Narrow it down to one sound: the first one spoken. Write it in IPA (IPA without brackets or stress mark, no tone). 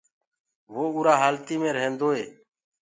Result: ʋ